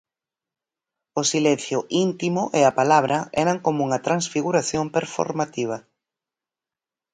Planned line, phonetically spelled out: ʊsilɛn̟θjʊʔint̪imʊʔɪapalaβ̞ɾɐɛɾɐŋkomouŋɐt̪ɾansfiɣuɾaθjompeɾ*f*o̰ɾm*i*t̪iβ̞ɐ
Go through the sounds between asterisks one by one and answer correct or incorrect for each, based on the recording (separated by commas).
correct, incorrect